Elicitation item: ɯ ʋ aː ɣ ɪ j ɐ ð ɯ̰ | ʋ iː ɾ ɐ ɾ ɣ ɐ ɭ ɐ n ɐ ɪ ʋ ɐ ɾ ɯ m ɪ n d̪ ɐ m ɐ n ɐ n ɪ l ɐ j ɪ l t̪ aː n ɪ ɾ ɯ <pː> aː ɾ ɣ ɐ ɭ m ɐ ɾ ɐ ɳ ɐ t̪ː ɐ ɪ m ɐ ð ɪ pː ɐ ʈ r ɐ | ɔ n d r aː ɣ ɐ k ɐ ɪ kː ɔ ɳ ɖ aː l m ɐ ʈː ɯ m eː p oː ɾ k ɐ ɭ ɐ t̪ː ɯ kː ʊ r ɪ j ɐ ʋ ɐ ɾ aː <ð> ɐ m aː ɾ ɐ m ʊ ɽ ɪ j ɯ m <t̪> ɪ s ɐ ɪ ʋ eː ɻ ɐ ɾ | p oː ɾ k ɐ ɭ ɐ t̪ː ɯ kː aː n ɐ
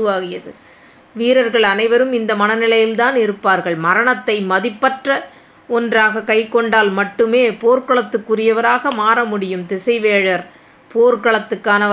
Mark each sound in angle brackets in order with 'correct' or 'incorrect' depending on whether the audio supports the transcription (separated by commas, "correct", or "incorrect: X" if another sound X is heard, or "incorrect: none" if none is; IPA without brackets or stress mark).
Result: correct, incorrect: ɣ, correct